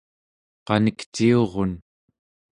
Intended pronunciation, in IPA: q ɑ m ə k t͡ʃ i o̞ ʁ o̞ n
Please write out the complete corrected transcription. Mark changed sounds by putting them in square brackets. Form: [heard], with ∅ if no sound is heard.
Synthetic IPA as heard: q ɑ [n] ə k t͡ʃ i o̞ ʁ o̞ n